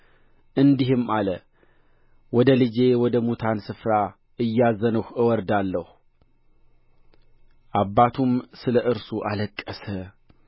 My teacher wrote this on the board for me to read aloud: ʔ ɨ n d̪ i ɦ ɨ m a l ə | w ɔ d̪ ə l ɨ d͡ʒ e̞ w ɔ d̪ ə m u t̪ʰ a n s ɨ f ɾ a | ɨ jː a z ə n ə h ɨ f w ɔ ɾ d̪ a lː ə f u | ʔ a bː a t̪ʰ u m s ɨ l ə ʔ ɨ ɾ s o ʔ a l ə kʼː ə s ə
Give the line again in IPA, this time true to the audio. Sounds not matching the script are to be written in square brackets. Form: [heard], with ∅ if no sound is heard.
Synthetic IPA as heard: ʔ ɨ n d̪ i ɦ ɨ m a l ə | w ɔ d̪ ə l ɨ d͡ʒ e̞ w ɔ d̪ ə m u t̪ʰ a n s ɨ f ɾ a | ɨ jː a z ə n ə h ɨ [∅] w ɔ ɾ d̪ a lː ə [h] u | ʔ a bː a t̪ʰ u m s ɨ l ə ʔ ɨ ɾ s [u] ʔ a l ə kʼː ə s ə

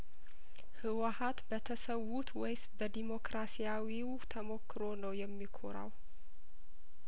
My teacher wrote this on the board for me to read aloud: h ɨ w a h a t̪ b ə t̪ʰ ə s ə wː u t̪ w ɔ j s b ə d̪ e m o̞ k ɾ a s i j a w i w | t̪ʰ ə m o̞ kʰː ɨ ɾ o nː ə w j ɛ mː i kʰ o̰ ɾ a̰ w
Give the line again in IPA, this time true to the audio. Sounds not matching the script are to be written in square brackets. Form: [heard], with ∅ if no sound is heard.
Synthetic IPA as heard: h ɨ w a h a t̪ b ə t̪ʰ ə s ə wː u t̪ w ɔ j s b ə d̪ [i] m o̞ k ɾ a s i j a w i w | t̪ʰ ə m o̞ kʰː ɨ ɾ o [n] ə w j ɛ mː i kʰ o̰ ɾ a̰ w

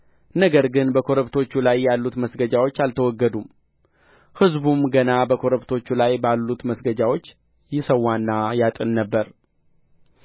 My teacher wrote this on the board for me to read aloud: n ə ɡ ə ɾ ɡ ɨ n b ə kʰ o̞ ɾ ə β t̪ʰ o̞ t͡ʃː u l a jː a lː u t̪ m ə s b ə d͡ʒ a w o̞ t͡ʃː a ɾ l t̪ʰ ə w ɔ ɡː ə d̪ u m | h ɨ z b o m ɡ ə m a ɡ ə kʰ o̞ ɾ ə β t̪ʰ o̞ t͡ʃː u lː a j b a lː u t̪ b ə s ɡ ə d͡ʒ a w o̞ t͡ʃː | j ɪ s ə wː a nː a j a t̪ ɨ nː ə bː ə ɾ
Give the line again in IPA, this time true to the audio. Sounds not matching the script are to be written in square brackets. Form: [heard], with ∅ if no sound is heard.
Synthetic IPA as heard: n ə ɡ ə ɾ ɡ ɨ n b ə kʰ o̞ ɾ ə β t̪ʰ o̞ t͡ʃː u l a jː a lː u t̪ m ə s [ɡ] ə d͡ʒ a w o̞ t͡ʃː a [∅] l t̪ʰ ə w ɔ ɡː ə d̪ u m | h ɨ z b [u] m ɡ ə [n] a [b] ə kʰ o̞ ɾ ə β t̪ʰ o̞ t͡ʃː u [l] a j b a lː u t̪ [m] ə s ɡ ə d͡ʒ a w o̞ t͡ʃː | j ɪ s ə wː a nː a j a [t̪ʼ] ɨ nː ə bː ə ɾ

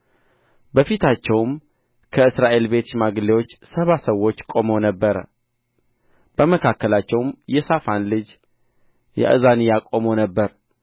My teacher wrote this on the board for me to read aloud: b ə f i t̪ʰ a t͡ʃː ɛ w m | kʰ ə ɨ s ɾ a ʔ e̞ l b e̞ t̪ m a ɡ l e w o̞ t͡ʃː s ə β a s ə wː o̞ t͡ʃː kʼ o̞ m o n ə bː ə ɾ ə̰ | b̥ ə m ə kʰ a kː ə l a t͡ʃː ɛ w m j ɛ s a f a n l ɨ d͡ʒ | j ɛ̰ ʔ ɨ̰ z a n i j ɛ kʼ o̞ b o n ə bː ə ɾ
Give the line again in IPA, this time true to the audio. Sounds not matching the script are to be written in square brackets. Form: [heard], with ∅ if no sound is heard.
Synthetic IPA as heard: b ə f i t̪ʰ a t͡ʃː ɛ w m | kʰ ə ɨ s ɾ a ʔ e̞ l b e̞ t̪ m a ɡ l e w o̞ t͡ʃː s ə β a s ə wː o̞ t͡ʃː kʼ o̞ m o n ə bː ə ɾ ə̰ | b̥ ə m ə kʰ a kː ə l a t͡ʃː ɛ w m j ɛ s a f a n l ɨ d͡ʒ | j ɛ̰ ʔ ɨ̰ z a n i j [a] kʼ o̞ [m] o n ə bː ə ɾ

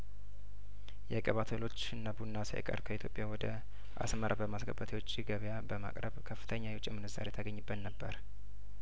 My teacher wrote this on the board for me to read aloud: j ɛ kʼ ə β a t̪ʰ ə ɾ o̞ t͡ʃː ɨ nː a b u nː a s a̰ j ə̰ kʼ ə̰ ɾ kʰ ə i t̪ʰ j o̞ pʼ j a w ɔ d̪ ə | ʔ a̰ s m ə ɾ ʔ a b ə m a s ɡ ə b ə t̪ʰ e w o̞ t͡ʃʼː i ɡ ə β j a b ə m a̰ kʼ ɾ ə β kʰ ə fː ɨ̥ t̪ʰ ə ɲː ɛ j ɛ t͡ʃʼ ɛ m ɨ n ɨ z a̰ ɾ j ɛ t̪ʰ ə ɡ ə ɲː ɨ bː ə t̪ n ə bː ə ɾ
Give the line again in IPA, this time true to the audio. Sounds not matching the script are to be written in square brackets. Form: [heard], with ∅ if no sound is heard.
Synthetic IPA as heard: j ɛ kʼ ə β a t̪ʰ ə [l] o̞ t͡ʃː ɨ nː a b u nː a s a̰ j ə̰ kʼ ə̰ ɾ kʰ ə i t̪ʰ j o̞ pʼ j a w ɔ d̪ ə | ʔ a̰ s m ə ɾ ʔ a b ə m a s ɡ ə b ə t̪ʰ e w o̞ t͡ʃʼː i ɡ ə β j a b ə m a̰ kʼ ɾ ə β kʰ ə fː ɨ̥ t̪ʰ ə ɲː [a] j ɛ t͡ʃʼ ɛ m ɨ n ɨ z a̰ ɾ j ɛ t̪ʰ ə ɡ ə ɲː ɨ bː ə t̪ n ə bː ə ɾ

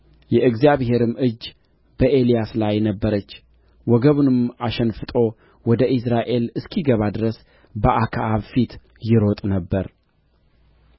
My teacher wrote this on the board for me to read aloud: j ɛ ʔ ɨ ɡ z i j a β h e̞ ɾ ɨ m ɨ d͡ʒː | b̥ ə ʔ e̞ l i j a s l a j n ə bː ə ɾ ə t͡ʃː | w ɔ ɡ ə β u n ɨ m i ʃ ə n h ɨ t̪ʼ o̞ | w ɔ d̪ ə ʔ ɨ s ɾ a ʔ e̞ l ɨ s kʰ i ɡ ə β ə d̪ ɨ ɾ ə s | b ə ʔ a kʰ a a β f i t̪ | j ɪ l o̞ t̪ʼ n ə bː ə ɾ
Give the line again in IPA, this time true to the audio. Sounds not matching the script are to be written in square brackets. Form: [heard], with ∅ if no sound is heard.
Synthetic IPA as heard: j ɛ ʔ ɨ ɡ z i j a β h e̞ ɾ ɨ m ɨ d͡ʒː | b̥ ə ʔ e̞ l i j a s l a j n ə bː ə ɾ ə t͡ʃː | w ɔ ɡ ə β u n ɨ m [a] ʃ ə n [f] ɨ t̪ʼ o̞ | w ɔ d̪ ə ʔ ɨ s ɾ a ʔ e̞ l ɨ s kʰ i ɡ ə β [a] d̪ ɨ ɾ ə s | b ə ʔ a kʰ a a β f i t̪ | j ɪ [ɾ] o̞ t̪ʼ n ə bː ə ɾ

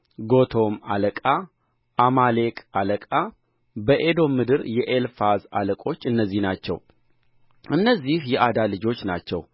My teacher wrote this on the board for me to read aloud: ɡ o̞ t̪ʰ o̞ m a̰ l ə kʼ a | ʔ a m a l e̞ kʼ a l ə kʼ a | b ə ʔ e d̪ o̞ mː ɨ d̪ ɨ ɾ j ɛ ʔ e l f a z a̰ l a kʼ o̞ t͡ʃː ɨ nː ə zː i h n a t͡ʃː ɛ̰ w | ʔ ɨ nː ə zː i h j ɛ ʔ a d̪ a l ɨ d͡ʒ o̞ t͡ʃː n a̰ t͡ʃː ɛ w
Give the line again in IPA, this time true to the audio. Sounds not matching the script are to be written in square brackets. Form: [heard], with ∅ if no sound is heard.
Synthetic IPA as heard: ɡ o̞ t̪ʰ o̞ m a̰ l ə kʼ a | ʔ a m a l e̞ kʼ a l ə kʼ a | b ə ʔ e d̪ o̞ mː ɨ d̪ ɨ ɾ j ɛ ʔ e l f a z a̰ l [ə] kʼ o̞ t͡ʃː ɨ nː ə zː i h n a t͡ʃː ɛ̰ w | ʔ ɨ nː ə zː i h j ɛ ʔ a d̪ a l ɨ d͡ʒ o̞ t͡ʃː n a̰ t͡ʃː ɛ w

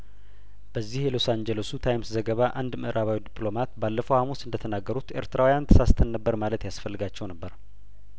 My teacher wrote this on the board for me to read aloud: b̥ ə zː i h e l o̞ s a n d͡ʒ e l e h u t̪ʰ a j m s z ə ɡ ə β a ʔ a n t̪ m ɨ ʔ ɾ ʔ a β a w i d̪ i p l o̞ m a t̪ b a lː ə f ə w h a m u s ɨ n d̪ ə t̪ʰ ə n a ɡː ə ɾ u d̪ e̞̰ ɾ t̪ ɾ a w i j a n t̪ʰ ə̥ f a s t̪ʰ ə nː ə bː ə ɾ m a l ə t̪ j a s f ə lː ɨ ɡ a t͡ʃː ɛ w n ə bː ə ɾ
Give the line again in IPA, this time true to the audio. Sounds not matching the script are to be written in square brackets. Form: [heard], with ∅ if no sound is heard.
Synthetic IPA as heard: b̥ ə zː i h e l o̞ s a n d͡ʒ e l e [s] u t̪ʰ a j m s z ə ɡ ə β a ʔ a n [d̪] m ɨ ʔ ɾ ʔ a β a w i d̪ i p l o̞ m a t̪ b a lː ə f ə w h a m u s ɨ n d̪ ə t̪ʰ ə n a ɡː ə ɾ u [t̪] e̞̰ ɾ t̪ ɾ a w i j a n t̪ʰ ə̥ [s] a s t̪ʰ ə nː ə bː ə ɾ m a l ə t̪ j a s f ə lː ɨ ɡ a t͡ʃː ɛ w n ə bː ə ɾ

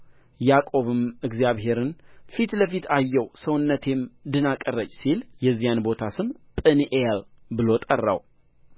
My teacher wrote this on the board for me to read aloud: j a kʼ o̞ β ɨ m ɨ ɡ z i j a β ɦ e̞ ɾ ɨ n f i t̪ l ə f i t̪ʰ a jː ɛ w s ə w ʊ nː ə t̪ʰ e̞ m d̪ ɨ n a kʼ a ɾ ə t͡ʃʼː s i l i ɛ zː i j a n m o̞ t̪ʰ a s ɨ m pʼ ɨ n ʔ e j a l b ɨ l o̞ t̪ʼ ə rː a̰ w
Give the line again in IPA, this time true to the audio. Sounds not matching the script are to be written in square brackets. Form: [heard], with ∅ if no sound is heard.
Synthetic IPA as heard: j a kʼ o̞ β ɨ m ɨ ɡ z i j a β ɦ e̞ ɾ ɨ n f i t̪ l ə f i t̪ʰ a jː ɛ w s ə w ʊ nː ə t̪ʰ e̞ m d̪ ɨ n a kʼ [ə] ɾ ə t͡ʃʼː s i l [j] ɛ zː i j a n [b] o̞ t̪ʰ a s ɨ m pʼ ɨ n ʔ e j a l b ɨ l o̞ t̪ʼ ə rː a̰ w

